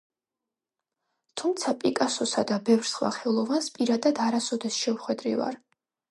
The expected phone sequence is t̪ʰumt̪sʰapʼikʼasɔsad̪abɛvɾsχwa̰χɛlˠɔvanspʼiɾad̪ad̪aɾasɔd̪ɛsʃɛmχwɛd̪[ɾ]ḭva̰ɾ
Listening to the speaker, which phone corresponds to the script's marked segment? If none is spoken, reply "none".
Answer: ɾ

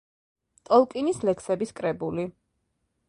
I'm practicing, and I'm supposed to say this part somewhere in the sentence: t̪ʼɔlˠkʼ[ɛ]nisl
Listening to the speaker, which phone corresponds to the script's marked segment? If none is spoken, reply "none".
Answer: i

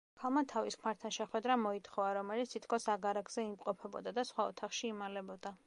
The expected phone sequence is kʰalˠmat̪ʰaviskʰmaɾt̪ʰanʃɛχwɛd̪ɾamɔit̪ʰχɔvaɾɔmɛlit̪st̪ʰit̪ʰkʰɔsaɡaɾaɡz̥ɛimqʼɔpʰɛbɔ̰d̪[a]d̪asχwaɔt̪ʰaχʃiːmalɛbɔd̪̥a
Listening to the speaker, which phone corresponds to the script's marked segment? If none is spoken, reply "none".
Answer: a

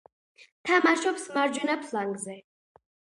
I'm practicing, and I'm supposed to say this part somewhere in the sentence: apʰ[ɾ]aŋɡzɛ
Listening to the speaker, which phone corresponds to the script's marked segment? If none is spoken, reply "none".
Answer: l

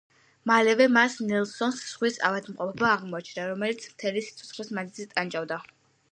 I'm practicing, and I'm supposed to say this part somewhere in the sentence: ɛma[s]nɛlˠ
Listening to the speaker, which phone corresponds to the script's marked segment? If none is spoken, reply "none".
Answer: s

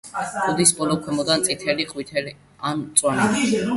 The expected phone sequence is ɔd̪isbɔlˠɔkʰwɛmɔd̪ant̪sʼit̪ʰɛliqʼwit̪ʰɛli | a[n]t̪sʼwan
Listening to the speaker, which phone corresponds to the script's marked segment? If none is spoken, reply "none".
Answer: n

